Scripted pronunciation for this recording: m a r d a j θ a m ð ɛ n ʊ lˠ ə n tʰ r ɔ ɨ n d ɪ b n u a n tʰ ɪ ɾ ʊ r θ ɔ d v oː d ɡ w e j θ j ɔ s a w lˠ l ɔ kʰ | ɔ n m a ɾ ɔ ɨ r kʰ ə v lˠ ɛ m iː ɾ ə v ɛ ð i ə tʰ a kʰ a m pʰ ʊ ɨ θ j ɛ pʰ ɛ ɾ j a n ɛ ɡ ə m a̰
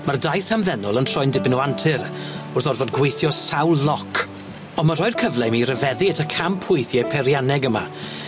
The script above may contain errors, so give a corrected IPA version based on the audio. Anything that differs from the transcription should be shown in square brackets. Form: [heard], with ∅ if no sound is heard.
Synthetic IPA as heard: m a r d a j θ a m ð ɛ n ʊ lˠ ə n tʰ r ɔ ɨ n d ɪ b n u a n tʰ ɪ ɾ ʊ r θ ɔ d v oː d ɡ w e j θ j ɔ s a w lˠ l ɔ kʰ | ɔ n m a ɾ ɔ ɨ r kʰ ə v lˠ ɛ m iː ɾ ə v ɛ ð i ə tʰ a kʰ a m pʰ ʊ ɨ θ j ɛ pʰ ɛ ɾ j a n ɛ ɡ ə m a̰